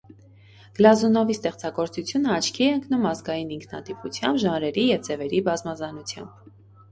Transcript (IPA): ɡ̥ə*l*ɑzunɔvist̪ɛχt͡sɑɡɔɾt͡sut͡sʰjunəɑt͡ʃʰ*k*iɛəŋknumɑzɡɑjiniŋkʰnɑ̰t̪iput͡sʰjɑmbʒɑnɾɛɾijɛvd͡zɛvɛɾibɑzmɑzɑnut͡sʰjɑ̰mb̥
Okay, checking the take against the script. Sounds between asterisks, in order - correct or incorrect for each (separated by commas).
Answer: correct, incorrect